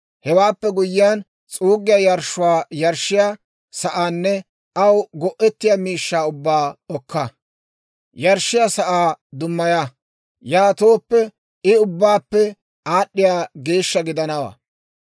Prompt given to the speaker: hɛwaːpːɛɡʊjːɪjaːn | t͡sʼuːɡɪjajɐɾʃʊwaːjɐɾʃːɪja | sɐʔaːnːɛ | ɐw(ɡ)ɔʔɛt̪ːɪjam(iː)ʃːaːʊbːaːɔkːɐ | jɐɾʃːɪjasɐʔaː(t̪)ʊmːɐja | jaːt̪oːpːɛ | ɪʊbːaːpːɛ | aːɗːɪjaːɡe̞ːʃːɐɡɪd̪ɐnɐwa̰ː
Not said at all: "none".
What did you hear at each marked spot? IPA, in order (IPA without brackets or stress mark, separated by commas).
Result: ɡ, iː, d̪